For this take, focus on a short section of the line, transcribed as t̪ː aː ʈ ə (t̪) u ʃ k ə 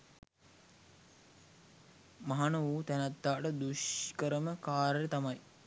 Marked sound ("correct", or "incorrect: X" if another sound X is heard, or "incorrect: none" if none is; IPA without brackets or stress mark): incorrect: d̪